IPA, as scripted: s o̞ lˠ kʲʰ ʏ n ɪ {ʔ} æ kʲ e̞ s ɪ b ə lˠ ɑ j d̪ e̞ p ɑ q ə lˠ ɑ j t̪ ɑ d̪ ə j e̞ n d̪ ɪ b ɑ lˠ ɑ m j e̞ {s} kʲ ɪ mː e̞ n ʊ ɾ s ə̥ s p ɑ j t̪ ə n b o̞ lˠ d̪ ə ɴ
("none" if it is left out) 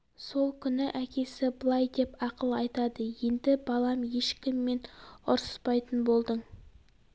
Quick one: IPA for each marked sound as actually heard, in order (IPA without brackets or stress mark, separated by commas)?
ʔ, ʃ